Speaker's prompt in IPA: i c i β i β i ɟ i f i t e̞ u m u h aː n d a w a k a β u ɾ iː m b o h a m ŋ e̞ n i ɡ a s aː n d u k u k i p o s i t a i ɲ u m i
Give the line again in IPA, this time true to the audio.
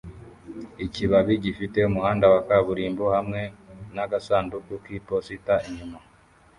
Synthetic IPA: i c i β a β i ɟ i f i t e̞ u m u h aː n d a w a k a β u ɾ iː m b o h a m ŋ e̞ n a ɡ a s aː n d u k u k i p o s i t a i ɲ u m a

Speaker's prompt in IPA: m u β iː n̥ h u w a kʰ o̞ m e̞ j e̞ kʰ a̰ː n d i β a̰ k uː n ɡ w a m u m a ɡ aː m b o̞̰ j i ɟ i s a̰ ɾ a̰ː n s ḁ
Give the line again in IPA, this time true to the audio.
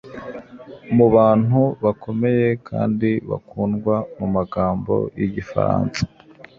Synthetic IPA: m u β aː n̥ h u β a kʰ o̞ m e̞ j e̞ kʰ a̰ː n d i β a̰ k uː n ɡ w a m u m a ɡ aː m b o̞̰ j i ɟ i f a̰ ɾ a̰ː n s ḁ

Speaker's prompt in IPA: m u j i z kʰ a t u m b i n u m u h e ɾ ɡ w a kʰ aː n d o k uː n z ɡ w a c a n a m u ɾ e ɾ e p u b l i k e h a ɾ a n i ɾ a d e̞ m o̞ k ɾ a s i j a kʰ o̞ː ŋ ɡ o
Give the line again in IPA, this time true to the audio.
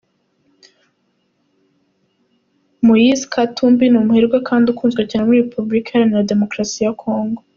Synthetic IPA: m u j i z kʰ a t u m b i n u m u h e ɾ ɡ w a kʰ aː n d u k uː n z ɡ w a c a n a m u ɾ i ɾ e p u b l i k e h a ɾ a n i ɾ a d e̞ m o̞ k ɾ a s i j a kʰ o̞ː ŋ ɡ o

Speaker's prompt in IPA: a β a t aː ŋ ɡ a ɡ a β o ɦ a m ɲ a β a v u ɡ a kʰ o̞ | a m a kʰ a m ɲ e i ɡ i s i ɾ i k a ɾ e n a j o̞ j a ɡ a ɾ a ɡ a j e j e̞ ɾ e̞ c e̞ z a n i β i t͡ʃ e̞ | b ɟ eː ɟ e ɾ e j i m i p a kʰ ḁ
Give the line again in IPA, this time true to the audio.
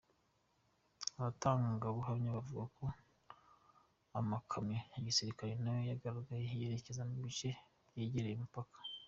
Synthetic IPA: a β a t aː ŋ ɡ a ɡ a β u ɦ a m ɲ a β a v u ɡ a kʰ o̞ | a m a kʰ a m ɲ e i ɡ i s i ɾ i k a ɾ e n a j o̞ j a ɡ a ɾ a ɡ a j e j e̞ ɾ e̞ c e̞ z a n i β i t͡ʃ e̞ | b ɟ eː ɟ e ɾ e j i m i p a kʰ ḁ

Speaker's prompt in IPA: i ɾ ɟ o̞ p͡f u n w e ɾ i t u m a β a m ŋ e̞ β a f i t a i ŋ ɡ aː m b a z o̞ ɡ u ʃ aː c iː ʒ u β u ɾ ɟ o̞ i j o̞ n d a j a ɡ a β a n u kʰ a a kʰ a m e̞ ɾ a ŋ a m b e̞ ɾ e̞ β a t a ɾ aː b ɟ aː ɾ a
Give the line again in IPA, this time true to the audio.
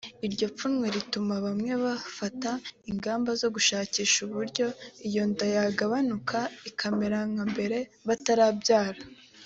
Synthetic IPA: i ɾ ɟ o̞ p͡f u n w e ɾ i t u m a β a m ŋ e̞ β a f a t a i ŋ ɡ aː m b a z o̞ ɡ u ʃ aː c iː ʃ u β u ɾ ɟ o̞ i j o̞ n d a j a ɡ a β a n u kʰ a i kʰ a m e̞ ɾ a ŋ a m b e̞ ɾ e̞ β a t a ɾ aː b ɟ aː ɾ a

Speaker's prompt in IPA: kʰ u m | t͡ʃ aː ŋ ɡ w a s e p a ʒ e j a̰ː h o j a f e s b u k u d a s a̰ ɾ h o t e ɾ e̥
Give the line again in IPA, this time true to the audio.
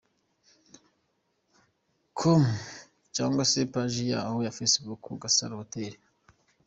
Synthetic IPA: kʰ o m | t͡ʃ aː ŋ ɡ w a s e p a ʒ i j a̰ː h o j a f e s b u k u ɡ a s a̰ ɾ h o t e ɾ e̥

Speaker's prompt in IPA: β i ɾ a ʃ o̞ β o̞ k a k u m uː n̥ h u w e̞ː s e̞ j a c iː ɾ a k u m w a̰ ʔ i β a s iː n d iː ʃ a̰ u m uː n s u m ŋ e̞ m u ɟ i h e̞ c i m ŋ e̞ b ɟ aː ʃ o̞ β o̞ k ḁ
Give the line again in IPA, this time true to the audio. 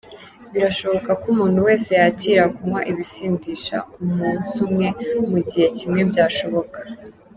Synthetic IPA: β i ɾ a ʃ o̞ β o̞ k a k u m uː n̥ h u w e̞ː s e̞ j a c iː ɾ a k u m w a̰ ʔ i β i s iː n d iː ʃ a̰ u m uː n s u m ŋ e̞ m u ɟ i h e̞ c i m ŋ e̞ b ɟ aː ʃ o̞ β o̞ k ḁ

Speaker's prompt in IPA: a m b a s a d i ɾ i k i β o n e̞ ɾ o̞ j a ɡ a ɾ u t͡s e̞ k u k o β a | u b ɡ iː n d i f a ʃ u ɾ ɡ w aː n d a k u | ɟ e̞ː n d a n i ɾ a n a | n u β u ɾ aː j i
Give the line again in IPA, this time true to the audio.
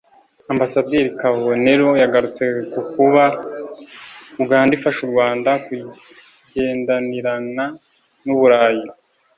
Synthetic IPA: a m b a s a d i ɾ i k a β o n e̞ ɾ o̞ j a ɡ a ɾ u t͡s e̞ k u k u β a | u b ɡ aː n d i f a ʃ u ɾ ɡ w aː n d a k u | ɟ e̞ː n d a n i ɾ a n a | n u β u ɾ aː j i

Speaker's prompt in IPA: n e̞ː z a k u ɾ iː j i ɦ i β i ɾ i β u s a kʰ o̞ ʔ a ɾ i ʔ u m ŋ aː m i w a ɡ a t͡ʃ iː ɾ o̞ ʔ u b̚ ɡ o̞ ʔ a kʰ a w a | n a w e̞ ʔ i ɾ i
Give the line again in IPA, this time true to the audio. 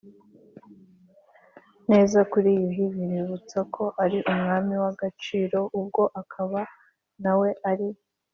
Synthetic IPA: n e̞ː z a k u ɾ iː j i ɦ i β i ɾ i β u t͡s a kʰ o̞ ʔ a ɾ i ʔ u m ŋ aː m i w a ɡ a t͡ʃ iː ɾ o̞ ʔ u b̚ ɡ o̞ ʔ a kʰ a β a | n a w e̞ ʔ a ɾ i

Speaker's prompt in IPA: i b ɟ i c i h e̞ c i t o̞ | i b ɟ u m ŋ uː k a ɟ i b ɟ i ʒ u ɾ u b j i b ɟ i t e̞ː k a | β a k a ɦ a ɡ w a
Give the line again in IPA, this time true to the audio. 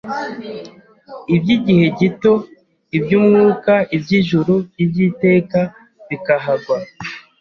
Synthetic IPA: i b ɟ i ɟ i h e̞ ɟ i t o̞ | i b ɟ u m ŋ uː k a i b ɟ i ʒ u ɾ u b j i b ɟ i t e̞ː k a | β i k a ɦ a ɡ w a

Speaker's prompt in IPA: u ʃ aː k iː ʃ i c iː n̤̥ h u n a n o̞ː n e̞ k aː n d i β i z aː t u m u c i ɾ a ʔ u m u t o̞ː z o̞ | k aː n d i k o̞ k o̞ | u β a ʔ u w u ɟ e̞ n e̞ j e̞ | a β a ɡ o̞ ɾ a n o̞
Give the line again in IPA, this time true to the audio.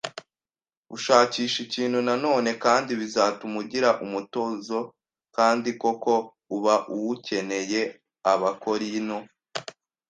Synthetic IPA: u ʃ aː c iː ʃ i c iː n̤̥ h u n a n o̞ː n e̞ k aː n d i β i z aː t u m u ɟ i ɾ a ʔ u m u t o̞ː z o̞ | k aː n d i k o̞ k o̞ | u β a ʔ u w u c e̞ n e̞ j e̞ | a β a k o̞ ɾ i n o̞

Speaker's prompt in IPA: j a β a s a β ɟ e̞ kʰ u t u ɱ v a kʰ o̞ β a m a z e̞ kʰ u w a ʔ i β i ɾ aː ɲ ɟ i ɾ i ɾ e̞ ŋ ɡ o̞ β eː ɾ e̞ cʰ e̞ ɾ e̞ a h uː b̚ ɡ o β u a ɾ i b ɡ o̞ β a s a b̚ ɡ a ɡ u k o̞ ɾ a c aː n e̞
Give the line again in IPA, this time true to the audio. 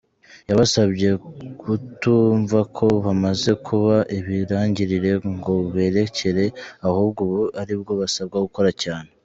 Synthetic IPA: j a β a s a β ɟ e̞ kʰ u t u ɱ v a kʰ o̞ β a m a z e̞ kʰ u β a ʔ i β i ɾ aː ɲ ɟ i ɾ i ɾ e̞ ŋ ɡ o̞ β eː ɾ e̞ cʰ e̞ ɾ e̞ a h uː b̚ ɡ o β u a ɾ i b ɡ o̞ β a s a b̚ ɡ a ɡ u k o̞ ɾ a c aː n e̞

